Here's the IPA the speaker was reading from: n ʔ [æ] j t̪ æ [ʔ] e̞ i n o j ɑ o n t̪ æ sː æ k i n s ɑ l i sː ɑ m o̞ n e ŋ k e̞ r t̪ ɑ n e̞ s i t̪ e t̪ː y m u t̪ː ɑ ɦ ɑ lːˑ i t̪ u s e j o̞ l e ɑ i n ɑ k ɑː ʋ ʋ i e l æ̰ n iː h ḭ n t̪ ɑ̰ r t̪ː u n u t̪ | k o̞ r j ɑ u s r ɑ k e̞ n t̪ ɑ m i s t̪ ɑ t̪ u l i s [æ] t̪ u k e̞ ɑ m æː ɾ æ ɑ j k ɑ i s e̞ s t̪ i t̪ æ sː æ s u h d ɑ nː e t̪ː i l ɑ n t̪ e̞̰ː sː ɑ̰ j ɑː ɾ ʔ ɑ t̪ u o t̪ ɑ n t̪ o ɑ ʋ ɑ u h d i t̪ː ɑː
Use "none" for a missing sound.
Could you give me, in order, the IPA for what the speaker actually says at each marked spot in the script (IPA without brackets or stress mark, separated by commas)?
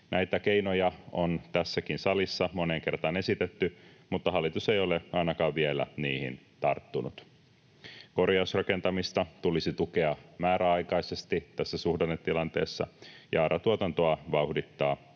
æ, k, i